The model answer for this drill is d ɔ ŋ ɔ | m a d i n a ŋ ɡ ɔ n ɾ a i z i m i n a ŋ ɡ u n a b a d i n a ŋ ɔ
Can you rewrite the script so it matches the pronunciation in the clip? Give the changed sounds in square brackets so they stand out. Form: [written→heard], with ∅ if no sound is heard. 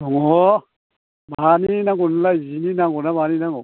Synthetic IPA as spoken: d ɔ ŋ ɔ | [m→b] a [d→n] i n a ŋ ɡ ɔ n [ɾ→l] a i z i [m→n] i n a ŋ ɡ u n a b a [d→n] i n a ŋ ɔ